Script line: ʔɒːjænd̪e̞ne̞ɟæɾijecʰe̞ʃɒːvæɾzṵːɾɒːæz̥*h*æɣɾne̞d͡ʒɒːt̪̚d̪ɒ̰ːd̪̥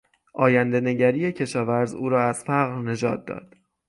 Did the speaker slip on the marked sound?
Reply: yes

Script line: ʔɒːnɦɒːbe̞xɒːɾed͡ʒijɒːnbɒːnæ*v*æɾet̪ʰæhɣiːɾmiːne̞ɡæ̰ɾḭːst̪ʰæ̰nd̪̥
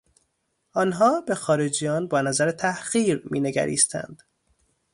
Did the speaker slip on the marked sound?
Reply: yes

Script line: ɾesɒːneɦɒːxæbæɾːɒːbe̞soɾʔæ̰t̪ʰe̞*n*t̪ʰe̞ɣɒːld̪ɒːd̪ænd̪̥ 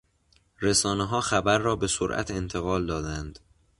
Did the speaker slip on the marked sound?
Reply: no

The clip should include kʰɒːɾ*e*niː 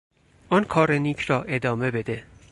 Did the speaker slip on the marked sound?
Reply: no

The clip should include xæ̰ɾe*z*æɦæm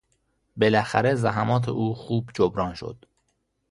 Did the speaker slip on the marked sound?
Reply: no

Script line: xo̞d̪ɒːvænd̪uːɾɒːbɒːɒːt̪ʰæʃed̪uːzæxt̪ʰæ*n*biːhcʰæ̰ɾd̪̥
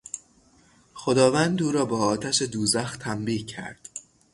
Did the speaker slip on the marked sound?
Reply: yes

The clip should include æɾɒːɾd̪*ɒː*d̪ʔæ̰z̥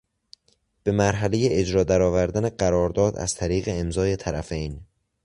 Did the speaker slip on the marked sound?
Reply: no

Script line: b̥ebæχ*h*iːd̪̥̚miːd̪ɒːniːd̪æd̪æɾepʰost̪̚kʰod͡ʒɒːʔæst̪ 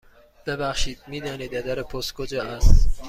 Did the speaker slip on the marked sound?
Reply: yes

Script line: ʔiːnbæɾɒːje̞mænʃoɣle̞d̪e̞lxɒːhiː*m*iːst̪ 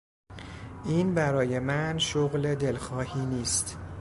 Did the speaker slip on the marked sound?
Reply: yes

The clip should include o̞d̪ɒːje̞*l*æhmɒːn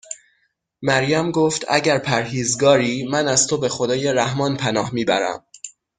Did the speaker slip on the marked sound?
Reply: yes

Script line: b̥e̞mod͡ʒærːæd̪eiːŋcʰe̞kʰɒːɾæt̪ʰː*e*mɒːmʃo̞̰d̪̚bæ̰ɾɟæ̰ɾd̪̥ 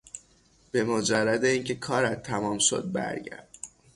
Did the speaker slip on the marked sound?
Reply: yes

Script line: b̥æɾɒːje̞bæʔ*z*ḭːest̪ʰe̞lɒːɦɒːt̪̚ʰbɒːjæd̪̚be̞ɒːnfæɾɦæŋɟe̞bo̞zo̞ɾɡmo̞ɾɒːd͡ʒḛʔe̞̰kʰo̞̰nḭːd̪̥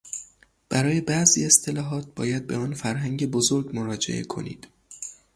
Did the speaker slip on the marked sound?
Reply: no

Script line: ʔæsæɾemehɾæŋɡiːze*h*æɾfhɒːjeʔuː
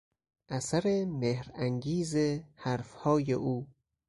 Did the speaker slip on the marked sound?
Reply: no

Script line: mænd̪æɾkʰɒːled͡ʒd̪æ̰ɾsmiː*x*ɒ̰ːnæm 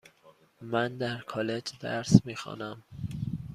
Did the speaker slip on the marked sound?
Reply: no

